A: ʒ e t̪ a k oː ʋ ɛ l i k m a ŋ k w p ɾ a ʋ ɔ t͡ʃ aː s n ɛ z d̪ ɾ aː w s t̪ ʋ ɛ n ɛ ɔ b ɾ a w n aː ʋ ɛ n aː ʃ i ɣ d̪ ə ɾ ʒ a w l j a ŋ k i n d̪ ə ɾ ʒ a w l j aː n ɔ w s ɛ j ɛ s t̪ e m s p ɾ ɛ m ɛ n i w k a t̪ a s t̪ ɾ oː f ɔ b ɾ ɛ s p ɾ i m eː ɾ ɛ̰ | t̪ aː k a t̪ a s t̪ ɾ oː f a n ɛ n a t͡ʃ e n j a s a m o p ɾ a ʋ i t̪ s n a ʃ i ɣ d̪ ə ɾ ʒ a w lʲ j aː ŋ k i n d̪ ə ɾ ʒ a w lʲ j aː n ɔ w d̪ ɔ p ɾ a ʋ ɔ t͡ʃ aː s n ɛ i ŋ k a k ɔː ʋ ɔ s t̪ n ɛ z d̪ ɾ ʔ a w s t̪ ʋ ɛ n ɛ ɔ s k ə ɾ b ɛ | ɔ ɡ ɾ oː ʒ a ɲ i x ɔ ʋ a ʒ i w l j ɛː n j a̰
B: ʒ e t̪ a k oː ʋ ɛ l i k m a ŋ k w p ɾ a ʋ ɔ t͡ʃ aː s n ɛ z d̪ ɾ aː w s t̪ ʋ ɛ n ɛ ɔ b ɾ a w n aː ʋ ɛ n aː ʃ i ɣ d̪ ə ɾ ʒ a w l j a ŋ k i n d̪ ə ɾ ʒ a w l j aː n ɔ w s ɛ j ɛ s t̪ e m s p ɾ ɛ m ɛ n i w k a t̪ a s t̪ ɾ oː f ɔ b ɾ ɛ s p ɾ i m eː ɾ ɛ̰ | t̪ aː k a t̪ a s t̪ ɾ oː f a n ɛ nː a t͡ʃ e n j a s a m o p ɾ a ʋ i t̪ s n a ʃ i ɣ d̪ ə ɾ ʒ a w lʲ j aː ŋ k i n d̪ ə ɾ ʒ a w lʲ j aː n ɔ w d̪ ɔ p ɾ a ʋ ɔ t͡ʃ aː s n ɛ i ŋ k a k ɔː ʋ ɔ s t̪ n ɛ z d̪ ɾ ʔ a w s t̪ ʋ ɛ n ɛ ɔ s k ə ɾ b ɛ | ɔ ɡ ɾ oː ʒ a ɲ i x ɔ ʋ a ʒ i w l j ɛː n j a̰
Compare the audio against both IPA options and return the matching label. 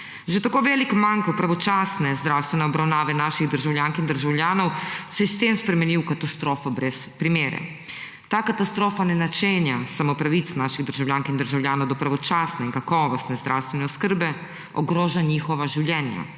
A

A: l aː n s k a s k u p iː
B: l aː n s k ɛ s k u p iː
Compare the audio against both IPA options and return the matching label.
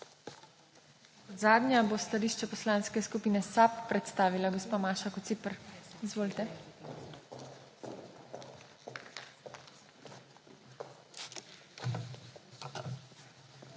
B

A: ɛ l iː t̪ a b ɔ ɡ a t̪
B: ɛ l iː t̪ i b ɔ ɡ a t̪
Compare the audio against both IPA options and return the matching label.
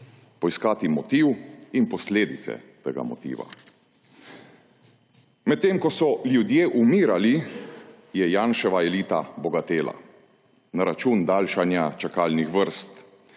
A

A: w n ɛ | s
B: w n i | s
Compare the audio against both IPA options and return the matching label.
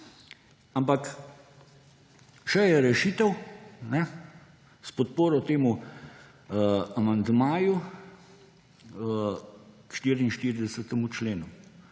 A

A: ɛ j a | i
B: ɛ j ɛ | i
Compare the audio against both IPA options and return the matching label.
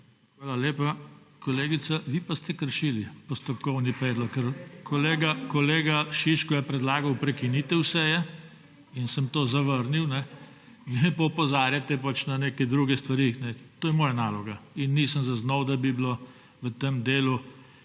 B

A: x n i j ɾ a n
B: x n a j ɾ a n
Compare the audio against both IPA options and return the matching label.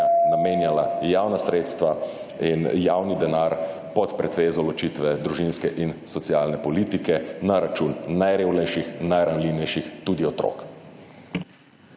B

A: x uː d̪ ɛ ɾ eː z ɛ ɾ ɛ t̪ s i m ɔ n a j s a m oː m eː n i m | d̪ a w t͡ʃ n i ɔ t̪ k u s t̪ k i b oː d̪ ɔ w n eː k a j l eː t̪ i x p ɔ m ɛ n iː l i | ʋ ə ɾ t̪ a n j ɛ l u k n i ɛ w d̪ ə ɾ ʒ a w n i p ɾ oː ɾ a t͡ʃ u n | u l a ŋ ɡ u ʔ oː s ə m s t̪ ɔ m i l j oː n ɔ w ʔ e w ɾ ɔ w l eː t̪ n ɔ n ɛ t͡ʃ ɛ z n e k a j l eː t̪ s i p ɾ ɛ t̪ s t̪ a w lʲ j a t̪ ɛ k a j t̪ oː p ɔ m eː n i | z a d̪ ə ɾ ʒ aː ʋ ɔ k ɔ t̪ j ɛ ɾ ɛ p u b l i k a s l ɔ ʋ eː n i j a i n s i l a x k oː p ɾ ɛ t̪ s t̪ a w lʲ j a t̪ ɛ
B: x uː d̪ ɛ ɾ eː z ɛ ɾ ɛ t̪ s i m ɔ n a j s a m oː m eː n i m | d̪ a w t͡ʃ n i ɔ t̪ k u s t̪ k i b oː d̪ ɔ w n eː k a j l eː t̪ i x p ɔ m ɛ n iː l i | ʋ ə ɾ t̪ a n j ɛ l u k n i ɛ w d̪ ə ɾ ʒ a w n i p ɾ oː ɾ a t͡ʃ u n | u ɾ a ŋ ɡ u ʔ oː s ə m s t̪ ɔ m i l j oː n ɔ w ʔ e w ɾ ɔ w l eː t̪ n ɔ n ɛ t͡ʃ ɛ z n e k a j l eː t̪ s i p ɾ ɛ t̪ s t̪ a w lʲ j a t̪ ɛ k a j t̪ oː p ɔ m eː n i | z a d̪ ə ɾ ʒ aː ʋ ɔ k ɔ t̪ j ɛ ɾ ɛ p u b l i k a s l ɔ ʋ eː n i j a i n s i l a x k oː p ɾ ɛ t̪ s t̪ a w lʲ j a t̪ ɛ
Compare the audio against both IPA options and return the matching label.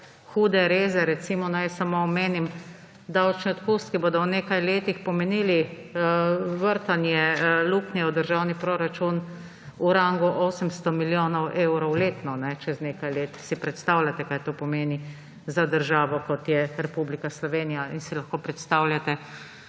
B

